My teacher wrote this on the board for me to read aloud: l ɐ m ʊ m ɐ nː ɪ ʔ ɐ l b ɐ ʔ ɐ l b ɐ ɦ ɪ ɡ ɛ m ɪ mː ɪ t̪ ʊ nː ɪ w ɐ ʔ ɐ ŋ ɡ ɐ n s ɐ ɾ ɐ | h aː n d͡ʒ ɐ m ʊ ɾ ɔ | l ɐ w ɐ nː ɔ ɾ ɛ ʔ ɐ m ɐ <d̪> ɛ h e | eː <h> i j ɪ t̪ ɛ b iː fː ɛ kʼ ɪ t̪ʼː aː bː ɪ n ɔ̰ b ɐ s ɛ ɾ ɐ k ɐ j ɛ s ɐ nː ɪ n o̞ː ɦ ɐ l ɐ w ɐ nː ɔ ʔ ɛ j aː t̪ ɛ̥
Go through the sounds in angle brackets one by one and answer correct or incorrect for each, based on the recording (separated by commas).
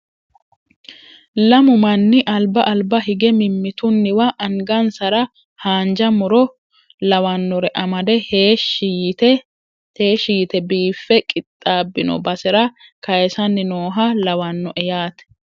correct, incorrect